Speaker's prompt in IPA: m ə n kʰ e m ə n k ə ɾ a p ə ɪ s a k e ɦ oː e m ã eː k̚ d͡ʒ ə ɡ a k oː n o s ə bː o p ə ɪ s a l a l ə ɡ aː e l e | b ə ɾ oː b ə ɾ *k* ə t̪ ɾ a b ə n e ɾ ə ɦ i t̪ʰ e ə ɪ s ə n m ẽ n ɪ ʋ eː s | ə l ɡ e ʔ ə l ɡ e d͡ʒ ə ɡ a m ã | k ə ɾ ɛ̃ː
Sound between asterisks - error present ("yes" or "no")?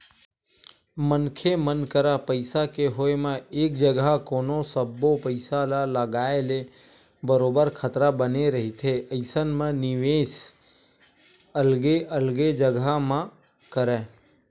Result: yes